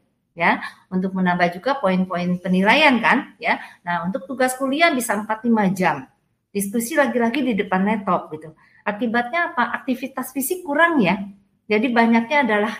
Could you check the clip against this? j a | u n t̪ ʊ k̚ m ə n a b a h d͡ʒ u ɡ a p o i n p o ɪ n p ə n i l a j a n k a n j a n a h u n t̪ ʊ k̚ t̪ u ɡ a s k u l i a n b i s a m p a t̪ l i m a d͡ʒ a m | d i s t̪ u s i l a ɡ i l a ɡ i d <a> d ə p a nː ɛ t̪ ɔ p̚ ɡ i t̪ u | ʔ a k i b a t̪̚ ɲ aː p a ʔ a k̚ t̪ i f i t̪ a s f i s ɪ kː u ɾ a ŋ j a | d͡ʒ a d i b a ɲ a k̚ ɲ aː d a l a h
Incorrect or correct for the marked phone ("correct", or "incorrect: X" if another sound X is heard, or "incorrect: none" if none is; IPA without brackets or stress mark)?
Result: incorrect: i